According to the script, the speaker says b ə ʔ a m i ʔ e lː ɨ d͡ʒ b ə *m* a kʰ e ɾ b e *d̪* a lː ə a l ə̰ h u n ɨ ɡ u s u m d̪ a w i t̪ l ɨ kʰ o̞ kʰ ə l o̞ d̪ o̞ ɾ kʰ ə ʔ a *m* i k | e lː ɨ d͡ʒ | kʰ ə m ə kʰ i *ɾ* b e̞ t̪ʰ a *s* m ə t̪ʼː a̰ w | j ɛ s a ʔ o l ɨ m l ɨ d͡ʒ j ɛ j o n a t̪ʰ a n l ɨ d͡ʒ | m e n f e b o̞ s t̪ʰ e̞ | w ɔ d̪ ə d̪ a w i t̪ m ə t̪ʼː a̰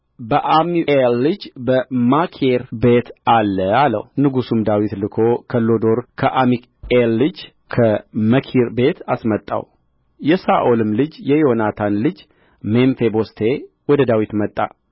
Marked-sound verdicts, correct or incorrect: correct, incorrect: t̪, correct, correct, correct

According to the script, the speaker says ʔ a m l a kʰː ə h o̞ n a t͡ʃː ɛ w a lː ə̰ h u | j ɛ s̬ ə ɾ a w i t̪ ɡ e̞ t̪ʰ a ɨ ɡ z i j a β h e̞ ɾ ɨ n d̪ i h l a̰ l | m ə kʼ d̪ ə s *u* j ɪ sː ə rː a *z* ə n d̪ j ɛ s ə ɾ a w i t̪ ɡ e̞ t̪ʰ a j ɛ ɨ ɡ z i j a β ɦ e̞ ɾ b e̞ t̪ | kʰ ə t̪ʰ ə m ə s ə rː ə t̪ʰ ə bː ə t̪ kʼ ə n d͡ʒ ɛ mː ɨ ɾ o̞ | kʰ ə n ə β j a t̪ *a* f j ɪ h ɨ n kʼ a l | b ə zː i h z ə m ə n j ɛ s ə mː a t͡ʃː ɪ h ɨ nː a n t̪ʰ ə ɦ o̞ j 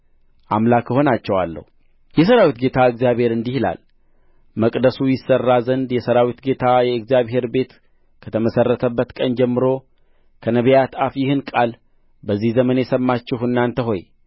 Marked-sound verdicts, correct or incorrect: correct, correct, correct

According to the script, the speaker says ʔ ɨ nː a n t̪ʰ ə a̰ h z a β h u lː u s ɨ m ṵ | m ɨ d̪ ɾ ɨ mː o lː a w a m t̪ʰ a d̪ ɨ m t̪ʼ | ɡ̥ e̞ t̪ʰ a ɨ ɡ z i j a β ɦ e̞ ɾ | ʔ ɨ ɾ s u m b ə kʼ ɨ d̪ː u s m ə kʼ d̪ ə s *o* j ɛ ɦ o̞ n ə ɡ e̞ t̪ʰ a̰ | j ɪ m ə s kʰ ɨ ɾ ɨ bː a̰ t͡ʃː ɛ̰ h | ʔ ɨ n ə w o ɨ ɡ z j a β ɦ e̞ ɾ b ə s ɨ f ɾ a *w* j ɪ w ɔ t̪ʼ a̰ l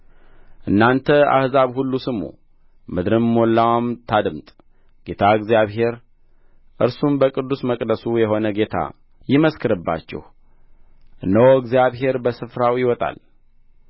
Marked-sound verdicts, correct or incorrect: incorrect: u, correct

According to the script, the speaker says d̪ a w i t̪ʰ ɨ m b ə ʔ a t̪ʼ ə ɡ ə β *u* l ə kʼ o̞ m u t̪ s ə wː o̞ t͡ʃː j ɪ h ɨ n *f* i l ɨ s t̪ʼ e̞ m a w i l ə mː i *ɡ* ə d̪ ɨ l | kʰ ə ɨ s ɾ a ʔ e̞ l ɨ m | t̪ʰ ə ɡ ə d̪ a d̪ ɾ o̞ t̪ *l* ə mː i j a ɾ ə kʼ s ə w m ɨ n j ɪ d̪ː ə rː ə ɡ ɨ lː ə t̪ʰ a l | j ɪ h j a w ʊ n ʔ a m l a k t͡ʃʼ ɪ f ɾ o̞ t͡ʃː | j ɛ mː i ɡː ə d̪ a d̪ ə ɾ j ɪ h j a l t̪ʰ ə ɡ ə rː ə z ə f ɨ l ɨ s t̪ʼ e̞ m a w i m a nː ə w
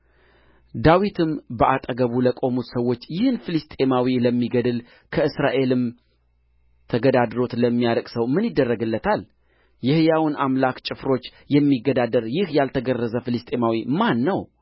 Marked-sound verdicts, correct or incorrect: correct, correct, correct, correct

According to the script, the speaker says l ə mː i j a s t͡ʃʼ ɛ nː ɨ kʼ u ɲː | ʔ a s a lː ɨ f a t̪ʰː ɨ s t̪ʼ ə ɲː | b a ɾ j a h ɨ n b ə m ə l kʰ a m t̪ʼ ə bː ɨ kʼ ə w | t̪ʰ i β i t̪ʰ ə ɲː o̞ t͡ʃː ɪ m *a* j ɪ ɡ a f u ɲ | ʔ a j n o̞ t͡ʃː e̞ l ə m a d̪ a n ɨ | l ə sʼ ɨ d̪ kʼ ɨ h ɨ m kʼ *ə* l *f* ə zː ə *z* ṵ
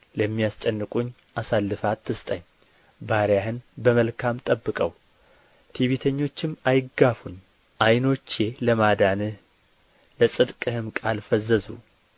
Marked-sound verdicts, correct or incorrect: correct, incorrect: a, correct, correct

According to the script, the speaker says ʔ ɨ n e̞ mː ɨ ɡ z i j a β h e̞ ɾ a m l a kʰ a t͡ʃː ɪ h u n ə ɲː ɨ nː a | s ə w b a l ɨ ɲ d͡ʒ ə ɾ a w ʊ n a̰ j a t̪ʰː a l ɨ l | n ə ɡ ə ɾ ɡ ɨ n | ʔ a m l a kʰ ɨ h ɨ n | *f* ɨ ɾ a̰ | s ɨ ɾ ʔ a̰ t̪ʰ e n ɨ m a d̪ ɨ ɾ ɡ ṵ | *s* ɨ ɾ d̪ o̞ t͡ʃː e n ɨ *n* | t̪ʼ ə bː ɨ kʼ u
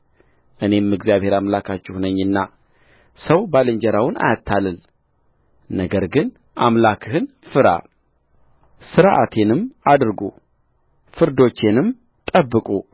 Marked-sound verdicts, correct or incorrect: correct, incorrect: f, incorrect: m

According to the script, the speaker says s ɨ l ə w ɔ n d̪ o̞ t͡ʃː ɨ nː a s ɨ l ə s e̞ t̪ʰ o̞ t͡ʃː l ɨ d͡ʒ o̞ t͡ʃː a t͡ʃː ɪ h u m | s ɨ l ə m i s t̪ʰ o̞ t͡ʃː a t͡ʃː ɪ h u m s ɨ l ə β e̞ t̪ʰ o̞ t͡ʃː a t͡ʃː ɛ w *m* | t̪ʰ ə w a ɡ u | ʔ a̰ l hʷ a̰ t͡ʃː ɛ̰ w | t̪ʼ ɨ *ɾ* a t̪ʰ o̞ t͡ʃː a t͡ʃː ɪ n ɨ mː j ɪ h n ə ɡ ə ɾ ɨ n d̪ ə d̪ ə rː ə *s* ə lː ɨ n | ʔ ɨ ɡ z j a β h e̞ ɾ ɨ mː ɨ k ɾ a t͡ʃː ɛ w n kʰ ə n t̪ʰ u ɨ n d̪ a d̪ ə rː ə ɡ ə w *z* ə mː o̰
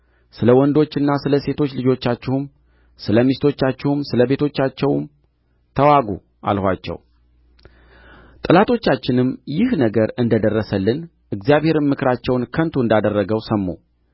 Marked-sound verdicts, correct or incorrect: correct, incorrect: l, correct, incorrect: s

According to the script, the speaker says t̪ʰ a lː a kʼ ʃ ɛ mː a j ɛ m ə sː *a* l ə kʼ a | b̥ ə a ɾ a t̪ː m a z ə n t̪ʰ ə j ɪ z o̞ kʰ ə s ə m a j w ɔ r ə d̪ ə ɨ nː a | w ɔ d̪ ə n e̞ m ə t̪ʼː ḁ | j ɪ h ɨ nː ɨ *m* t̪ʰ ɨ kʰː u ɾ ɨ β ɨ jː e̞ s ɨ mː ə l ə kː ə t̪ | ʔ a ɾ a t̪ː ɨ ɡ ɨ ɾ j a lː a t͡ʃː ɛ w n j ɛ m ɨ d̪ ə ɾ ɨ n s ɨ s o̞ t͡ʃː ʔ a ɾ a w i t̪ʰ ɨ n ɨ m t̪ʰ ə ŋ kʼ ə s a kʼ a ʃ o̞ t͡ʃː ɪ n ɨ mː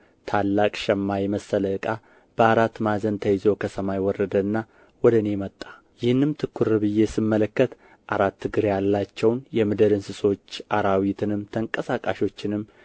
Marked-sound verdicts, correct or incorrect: incorrect: ə, correct

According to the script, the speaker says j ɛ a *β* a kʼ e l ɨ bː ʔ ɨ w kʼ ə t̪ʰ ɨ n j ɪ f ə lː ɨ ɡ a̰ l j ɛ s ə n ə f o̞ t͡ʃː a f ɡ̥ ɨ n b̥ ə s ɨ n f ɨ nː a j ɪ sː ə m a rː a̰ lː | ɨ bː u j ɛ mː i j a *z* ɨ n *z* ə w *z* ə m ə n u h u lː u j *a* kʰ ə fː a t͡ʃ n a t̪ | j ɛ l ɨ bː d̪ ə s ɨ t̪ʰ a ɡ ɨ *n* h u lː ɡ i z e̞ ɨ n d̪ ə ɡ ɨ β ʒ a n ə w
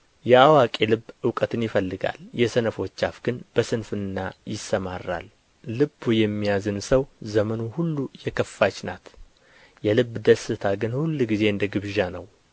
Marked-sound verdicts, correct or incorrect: incorrect: w, correct, incorrect: s, correct, incorrect: ɛ, correct

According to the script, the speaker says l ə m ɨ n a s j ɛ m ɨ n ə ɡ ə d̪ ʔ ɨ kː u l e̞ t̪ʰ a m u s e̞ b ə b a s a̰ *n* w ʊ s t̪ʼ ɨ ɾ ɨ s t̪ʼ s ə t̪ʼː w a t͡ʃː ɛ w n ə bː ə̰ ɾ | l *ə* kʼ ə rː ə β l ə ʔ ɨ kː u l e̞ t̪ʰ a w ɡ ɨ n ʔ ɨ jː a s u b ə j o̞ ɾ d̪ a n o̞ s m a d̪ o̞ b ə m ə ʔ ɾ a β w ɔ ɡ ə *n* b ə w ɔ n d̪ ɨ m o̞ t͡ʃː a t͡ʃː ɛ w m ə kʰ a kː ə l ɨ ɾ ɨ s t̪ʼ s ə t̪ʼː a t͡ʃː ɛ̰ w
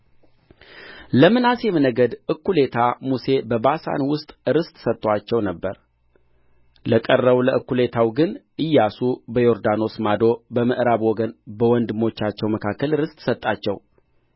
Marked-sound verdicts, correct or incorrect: correct, correct, correct

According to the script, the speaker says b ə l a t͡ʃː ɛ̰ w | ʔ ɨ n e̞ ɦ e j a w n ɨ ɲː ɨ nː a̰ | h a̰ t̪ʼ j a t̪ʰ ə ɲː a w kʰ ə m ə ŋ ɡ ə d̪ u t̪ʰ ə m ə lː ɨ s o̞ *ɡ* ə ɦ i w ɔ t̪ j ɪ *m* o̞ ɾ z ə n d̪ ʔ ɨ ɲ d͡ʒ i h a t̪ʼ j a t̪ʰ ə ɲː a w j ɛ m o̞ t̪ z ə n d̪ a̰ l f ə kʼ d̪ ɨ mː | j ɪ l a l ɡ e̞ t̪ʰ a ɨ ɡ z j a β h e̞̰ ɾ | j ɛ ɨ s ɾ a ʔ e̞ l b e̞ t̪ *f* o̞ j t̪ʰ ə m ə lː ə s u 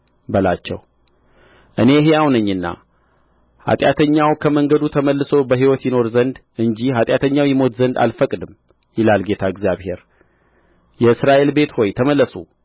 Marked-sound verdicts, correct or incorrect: incorrect: b, incorrect: n, incorrect: h

